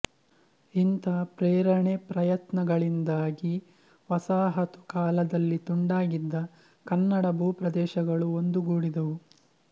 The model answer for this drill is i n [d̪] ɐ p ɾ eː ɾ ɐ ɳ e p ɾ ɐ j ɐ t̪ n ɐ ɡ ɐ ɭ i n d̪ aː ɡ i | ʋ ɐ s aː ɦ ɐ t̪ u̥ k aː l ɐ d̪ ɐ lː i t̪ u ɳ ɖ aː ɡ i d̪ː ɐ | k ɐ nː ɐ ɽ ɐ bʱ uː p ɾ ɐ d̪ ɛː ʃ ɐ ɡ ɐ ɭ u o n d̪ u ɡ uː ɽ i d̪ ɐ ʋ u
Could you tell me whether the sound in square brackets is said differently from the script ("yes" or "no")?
yes